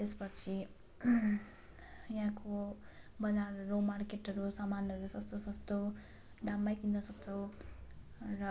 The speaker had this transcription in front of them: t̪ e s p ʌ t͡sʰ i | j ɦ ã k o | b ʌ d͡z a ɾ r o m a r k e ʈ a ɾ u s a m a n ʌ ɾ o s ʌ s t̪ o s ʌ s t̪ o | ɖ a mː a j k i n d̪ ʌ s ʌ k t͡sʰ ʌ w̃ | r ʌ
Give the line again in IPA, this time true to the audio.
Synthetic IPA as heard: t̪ e s p ʌ t͡sʰ i | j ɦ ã k o | b ʌ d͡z a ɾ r o m a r k e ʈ ʌ ɾ u s a m a n ʌ ɾ u s ʌ s t̪ o s ʌ s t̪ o | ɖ a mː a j k i n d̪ ʌ s ʌ k t͡sʰ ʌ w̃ | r ʌ

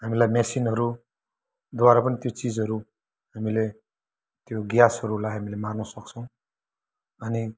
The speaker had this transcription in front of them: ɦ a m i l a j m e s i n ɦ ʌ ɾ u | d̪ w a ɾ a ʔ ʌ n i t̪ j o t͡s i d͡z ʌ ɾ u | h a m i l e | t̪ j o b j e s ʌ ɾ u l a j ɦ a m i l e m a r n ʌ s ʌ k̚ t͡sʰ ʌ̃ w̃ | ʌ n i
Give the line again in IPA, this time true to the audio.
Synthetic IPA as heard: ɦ a m i l a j m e s i n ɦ ʌ ɾ u | d̪ w a ɾ a p ʌ n i t̪ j o t͡s i d͡z ʌ ɾ u | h a m i l e | t̪ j o ɡ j a s ʌ ɾ u l a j ɦ a m i l e m a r n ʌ s ʌ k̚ t͡sʰ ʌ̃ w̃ | ʌ n i

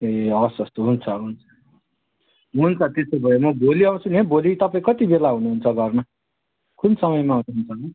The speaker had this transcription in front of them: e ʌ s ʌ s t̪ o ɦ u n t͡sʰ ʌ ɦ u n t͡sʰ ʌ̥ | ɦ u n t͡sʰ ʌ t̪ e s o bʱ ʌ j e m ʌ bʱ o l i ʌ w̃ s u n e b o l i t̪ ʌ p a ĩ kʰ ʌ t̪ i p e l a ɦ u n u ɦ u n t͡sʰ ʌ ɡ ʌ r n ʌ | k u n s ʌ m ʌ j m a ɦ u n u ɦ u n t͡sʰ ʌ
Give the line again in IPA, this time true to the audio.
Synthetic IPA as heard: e ʌ s ʌ s t̪ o ɦ u n t͡sʰ ʌ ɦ u n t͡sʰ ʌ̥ | ɦ u n t͡sʰ ʌ t̪ e s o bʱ ʌ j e m ʌ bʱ o l i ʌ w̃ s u n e b o l i t̪ ʌ p a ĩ k ʌ t̪ i b e l a ɦ u n u ɦ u n t͡sʰ ʌ ɡ ʌ r n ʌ | k u n s ʌ m ʌ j m a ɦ u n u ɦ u n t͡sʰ ʌ

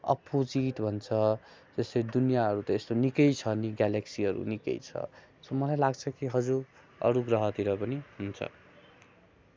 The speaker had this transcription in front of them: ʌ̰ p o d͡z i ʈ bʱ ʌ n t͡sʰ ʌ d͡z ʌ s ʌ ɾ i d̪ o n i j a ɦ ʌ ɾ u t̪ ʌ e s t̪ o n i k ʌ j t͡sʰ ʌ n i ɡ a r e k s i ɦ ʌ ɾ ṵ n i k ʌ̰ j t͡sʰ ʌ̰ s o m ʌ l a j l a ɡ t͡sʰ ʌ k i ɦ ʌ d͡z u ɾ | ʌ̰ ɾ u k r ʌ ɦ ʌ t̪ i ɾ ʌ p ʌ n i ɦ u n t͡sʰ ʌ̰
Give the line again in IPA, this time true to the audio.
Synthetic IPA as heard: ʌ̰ p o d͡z i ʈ bʱ ʌ n t͡sʰ ʌ d͡z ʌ s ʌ ɾ i d̪ u n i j a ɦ ʌ ɾ u t̪ ʌ e s t̪ o n i k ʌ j t͡sʰ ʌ n i ɡ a l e k s i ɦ ʌ ɾ ṵ n i k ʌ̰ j t͡sʰ ʌ̰ s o m ʌ l a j l a ɡ t͡sʰ ʌ k i ɦ ʌ d͡z u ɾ | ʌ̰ ɾ u ɡ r ʌ ɦ ʌ t̪ i ɾ ʌ p ʌ n i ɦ u n t͡sʰ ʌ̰

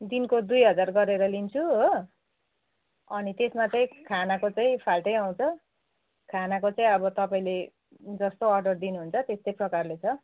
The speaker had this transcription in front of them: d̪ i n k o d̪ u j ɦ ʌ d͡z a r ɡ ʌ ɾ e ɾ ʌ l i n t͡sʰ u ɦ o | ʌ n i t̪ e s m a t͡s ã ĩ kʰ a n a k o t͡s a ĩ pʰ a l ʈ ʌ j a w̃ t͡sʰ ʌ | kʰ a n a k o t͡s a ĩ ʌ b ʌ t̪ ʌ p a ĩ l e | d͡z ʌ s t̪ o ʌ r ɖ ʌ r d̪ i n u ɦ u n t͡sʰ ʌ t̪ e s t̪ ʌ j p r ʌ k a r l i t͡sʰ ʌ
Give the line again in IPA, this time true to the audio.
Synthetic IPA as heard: d̪ i n k o d̪ u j ɦ ʌ d͡z a r ɡ ʌ ɾ e ɾ ʌ l i n t͡sʰ u ɦ o | ʌ n i t̪ e s m a t͡s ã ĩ kʰ a n a k o t͡s a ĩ pʰ a l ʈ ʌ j a w̃ t͡sʰ ʌ | kʰ a n a k o t͡s a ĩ ʌ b ʌ t̪ ʌ p a ĩ l e | d͡z ʌ s t̪ o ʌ r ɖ ʌ r d̪ i n u ɦ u n t͡sʰ ʌ t̪ e s t̪ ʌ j p r ʌ k a r l e t͡sʰ ʌ

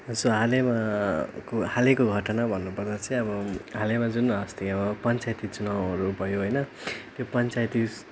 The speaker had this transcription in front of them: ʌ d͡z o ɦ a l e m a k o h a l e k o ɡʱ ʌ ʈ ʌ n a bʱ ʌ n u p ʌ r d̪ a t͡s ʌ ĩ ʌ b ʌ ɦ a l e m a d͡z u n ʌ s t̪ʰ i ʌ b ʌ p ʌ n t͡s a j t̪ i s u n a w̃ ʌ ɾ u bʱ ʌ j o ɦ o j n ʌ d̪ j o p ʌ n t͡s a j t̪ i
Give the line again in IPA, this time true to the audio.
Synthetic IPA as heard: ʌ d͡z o ɦ a l e m a k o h a l e k o ɡʱ ʌ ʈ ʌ n a bʱ ʌ nː u p ʌ r d̪ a t͡s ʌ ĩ ʌ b ʌ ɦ a l e m a d͡z u n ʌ s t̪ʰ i ʌ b ʌ p ʌ n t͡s a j t̪ i t͡s u n a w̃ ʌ ɾ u bʱ ʌ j o ɦ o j n ʌ t̪ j o p ʌ n t͡s a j t̪ i

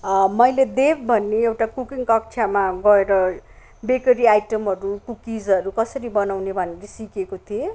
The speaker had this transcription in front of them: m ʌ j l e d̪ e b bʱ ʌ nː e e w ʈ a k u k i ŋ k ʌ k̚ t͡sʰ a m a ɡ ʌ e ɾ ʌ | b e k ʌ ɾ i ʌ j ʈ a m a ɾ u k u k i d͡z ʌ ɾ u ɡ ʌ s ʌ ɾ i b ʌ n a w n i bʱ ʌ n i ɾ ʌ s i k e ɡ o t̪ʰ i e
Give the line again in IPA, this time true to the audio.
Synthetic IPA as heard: m ʌ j l e d̪ e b bʱ ʌ nː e e w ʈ a k u k i ŋ k ʌ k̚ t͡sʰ a m a ɡ ʌ e ɾ ʌ | b e k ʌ ɾ i a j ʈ ʌ m ʌ ɾ u k u k i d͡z ʌ ɾ u k ʌ s ʌ ɾ i b ʌ n a w n e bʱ ʌ n e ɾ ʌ s i k e k o t̪ʰ i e

